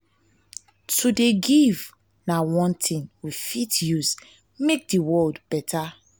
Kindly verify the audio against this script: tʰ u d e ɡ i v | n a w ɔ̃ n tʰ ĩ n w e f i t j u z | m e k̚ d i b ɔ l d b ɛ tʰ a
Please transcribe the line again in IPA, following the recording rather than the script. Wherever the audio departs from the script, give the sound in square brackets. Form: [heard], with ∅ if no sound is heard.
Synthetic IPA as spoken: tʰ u d e ɡ i v | n a w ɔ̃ n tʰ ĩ n w [i] f i t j u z | m e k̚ d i [w] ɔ l d b ɛ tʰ a